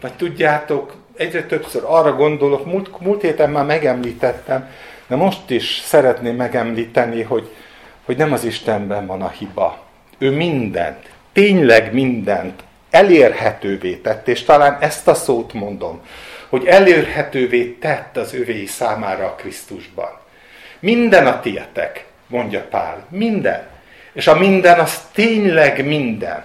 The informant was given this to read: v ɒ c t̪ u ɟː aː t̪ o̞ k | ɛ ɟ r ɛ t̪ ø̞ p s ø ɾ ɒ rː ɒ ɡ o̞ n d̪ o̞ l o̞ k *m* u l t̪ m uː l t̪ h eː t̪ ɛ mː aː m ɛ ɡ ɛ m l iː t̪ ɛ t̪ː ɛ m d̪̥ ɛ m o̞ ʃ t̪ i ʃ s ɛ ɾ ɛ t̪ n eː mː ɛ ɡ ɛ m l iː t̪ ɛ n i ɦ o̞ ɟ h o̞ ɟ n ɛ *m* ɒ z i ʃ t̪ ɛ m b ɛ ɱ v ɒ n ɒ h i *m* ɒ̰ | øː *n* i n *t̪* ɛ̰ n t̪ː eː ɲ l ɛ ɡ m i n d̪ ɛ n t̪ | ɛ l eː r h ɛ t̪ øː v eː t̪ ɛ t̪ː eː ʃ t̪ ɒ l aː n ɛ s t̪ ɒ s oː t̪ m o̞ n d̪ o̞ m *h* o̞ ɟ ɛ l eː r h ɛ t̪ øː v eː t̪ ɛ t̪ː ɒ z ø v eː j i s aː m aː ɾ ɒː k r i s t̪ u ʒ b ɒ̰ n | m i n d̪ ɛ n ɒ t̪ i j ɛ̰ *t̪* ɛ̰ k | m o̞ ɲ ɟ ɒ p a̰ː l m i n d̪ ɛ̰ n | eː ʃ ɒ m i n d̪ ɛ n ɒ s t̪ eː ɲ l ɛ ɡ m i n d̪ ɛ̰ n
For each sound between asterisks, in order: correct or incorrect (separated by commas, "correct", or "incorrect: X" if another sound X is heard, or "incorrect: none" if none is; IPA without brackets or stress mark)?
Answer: correct, correct, incorrect: b, incorrect: m, incorrect: d̪, correct, correct